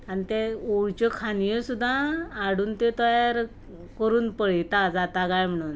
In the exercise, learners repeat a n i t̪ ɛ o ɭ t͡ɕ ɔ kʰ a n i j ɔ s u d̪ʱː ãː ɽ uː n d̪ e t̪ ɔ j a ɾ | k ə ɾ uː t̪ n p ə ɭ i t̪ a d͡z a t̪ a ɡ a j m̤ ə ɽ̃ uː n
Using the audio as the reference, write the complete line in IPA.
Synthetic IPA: a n i t̪ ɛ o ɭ t͡ɕ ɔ kʰ a n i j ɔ s u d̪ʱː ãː ɽ uː n t̪ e t̪ ɔ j a ɾ | k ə ɾ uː n p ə ɭ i t̪ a d͡z a t̪ a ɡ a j m̤ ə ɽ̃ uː n